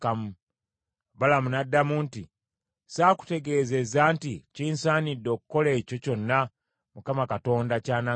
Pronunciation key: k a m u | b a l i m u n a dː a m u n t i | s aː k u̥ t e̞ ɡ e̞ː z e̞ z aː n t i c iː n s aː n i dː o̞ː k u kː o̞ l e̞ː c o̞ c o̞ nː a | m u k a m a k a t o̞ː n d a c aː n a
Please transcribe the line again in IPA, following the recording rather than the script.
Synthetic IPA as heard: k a m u | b a l a m u n a dː a m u n t i | s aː k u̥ t e̞ ɡ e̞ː z e̞ z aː n t i c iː n s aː n i dː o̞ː k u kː o̞ l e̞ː c o̞ c o̞ nː a | m u k a m a k a t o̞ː n d a c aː n a